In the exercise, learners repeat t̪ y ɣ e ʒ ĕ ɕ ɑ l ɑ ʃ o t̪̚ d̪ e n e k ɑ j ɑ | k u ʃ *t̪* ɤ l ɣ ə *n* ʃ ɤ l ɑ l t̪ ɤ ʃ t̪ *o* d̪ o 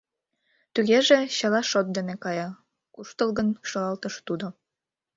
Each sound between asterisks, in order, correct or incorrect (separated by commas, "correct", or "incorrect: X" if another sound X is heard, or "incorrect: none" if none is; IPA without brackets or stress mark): correct, correct, incorrect: u